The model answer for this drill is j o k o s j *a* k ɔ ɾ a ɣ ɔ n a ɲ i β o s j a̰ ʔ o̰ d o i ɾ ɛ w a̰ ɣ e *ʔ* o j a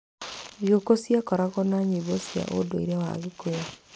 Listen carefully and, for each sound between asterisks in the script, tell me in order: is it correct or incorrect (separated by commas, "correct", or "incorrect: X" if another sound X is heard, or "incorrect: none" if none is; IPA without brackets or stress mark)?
correct, incorrect: k